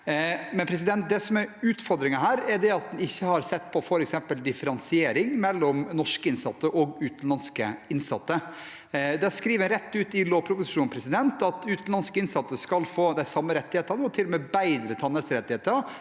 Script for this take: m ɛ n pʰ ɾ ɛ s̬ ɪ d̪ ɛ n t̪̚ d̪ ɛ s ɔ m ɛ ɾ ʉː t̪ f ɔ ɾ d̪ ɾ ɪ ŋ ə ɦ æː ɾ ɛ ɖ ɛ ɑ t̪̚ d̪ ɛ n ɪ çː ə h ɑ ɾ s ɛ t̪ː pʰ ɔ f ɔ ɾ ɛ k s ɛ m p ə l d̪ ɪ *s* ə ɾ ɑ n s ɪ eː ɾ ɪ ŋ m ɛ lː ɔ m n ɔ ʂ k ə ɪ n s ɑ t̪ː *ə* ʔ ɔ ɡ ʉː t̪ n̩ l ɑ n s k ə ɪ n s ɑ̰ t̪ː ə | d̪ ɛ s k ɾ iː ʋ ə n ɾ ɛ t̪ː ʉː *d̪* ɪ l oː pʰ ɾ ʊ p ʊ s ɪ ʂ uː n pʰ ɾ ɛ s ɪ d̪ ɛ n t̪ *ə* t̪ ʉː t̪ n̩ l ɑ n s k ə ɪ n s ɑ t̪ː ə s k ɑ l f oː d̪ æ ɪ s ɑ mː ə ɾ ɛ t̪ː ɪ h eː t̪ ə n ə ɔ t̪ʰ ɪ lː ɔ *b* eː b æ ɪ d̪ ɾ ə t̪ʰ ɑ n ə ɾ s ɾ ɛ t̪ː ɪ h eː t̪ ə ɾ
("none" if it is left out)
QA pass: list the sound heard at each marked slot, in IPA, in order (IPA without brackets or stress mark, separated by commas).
f, ə, t̪, ɑ, m